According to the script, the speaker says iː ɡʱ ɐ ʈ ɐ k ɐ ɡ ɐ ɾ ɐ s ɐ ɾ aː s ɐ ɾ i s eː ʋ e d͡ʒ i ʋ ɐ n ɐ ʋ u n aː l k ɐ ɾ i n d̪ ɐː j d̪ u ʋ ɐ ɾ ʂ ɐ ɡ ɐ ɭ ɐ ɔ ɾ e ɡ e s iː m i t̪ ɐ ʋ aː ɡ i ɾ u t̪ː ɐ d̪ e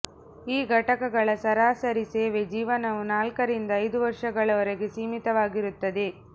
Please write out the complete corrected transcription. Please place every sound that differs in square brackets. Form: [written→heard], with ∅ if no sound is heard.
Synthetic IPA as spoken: iː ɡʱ ɐ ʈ ɐ k ɐ ɡ ɐ [ɾ→ɭ] ɐ s ɐ ɾ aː s ɐ ɾ i s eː ʋ e d͡ʒ [i→iː] ʋ ɐ n ɐ ʋ u n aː l k ɐ ɾ i n d̪ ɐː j d̪ u ʋ ɐ ɾ ʂ ɐ ɡ ɐ ɭ ɐ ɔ ɾ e ɡ e s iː m i t̪ ɐ ʋ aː ɡ i ɾ u t̪ː ɐ d̪ e

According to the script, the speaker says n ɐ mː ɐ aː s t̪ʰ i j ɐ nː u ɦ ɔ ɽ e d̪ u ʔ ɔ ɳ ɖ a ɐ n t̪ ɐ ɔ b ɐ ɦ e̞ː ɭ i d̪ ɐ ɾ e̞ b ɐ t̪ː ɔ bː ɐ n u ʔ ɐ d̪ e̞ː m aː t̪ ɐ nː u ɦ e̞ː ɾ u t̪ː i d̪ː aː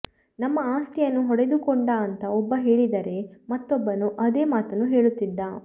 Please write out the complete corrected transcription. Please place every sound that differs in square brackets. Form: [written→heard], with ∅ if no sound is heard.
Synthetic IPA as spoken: n ɐ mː ɐ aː s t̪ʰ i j ɐ nː u ɦ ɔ ɽ e d̪ u [ʔ→k] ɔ ɳ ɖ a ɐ n t̪ ɐ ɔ [b→bː] ɐ ɦ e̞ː ɭ i d̪ ɐ ɾ e̞ [b→m] ɐ t̪ː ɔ bː ɐ n u ʔ ɐ d̪ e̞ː m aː t̪ ɐ nː u ɦ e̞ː [ɾ→ɭ] u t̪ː i d̪ː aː

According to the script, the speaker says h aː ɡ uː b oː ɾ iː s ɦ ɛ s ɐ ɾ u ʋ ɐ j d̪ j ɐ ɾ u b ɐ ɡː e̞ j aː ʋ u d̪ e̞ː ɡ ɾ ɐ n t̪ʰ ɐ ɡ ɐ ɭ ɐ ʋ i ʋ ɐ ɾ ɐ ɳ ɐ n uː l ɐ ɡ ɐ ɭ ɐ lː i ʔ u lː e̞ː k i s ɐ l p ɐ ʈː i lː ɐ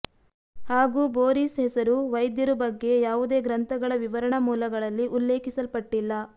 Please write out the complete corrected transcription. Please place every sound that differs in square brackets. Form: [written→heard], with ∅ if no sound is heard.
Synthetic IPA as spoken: h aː ɡ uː b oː ɾ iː s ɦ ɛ s ɐ ɾ u ʋ ɐ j d̪ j ɐ ɾ u b ɐ ɡː e̞ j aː ʋ u d̪ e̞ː ɡ ɾ ɐ n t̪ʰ ɐ ɡ ɐ ɭ ɐ ʋ i ʋ ɐ ɾ ɐ ɳ ɐ [n→m] uː l ɐ ɡ ɐ ɭ ɐ lː i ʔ u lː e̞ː k i s ɐ l p ɐ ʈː i lː ɐ

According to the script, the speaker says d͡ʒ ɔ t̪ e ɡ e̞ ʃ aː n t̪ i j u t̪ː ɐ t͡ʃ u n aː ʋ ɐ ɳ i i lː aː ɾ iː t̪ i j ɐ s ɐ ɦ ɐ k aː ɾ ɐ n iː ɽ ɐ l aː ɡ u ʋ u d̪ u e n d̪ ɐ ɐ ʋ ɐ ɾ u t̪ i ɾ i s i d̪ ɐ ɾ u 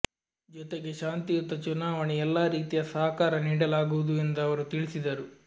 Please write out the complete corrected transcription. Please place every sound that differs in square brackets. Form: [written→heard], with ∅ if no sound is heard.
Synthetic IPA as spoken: d͡ʒ ɔ t̪ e ɡ e̞ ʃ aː n t̪ i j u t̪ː ɐ t͡ʃ u n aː ʋ ɐ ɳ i [i→ɛ] lː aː ɾ iː t̪ i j ɐ s ɐ ɦ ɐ k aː ɾ ɐ n iː ɽ ɐ l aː ɡ u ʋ u d̪ u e n d̪ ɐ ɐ ʋ ɐ ɾ u t̪ i [ɾ→ɭ] i s i d̪ ɐ ɾ u

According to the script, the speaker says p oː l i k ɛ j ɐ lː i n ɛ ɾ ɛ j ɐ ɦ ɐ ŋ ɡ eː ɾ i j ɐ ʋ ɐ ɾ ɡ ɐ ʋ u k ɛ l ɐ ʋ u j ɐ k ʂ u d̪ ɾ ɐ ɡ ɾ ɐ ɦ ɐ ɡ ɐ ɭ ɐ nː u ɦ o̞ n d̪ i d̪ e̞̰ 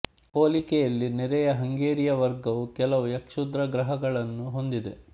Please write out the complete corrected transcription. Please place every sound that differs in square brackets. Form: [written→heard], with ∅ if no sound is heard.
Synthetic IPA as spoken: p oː l i k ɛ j ɐ lː i n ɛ ɾ ɛ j ɐ ɦ ɐ ŋ ɡ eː ɾ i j ɐ ʋ ɐ ɾ ɡ ɐ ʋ u k ɛ l ɐ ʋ u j ɐ k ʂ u d̪ ɾ ɐ ɡ ɾ ɐ ɦ ɐ ɡ ɐ ɭ ɐ nː u ɦ o̞ n d̪ i d̪ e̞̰

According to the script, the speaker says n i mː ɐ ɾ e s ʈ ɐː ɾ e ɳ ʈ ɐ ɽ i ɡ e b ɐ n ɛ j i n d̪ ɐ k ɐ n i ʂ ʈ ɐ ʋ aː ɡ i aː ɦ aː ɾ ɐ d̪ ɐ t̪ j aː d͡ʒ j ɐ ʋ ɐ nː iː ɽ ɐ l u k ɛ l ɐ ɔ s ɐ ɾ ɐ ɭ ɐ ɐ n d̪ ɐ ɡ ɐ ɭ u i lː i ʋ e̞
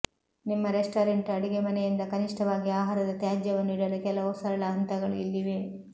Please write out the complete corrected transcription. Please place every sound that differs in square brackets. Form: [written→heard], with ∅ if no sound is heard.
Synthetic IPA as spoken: n i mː ɐ ɾ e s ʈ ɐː ɾ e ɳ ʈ ɐ ɽ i ɡ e [b→m] ɐ n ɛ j i n d̪ ɐ k ɐ n i ʂ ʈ ɐ ʋ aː ɡ i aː ɦ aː ɾ ɐ d̪ ɐ t̪ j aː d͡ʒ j ɐ ʋ ɐ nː iː ɽ ɐ l u k ɛ l ɐ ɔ s ɐ ɾ ɐ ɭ ɐ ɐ n [d̪→t̪] ɐ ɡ ɐ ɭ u i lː i ʋ e̞

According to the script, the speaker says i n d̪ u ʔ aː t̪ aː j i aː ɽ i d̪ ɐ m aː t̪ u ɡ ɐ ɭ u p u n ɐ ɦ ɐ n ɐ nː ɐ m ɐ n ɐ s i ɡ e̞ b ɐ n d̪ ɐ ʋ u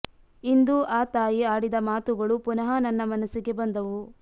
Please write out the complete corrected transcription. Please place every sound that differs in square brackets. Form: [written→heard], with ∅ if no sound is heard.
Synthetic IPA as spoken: i n d̪ u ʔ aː t̪ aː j i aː ɽ i d̪ ɐ m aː t̪ u ɡ ɐ ɭ u p u n ɐ ɦ ɐ n ɐ nː ɐ m ɐ n ɐ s i ɡ e̞ b ɐ n d̪ ɐ ʋ u

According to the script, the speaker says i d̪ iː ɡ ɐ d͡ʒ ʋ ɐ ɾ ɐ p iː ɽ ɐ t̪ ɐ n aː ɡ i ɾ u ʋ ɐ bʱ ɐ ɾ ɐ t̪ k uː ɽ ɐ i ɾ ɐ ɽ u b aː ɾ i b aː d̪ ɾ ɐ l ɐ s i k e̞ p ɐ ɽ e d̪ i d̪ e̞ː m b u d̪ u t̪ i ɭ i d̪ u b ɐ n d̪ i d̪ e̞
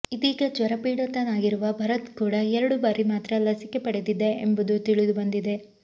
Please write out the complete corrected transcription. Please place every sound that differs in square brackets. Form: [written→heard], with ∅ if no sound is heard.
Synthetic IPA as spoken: i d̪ iː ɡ ɐ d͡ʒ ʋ ɐ ɾ ɐ p iː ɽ ɐ t̪ ɐ n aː ɡ i ɾ u ʋ ɐ bʱ ɐ ɾ ɐ t̪ k uː ɽ ɐ [i→ɛ] ɾ ɐ ɽ u b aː ɾ i [b→m] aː [d̪→t̪] ɾ ɐ l ɐ s i k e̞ p ɐ ɽ e d̪ i d̪ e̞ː m b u d̪ u t̪ i ɭ i d̪ u b ɐ n d̪ i d̪ e̞

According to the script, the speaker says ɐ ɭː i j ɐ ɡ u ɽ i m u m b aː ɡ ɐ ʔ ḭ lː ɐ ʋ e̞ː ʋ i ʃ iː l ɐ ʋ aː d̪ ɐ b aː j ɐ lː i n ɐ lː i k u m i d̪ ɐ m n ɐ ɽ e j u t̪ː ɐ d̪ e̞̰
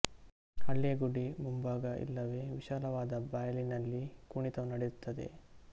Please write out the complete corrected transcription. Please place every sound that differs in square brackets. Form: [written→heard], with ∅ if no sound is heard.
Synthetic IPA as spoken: ɐ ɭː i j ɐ ɡ u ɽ i m u m b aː ɡ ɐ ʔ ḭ lː ɐ ʋ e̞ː ʋ i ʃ [iː→aː] l ɐ ʋ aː d̪ ɐ b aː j ɐ [lː→l] i n ɐ lː i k u [m→ɳ] i [d̪→t̪] ɐ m n ɐ ɽ e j u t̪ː ɐ d̪ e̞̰

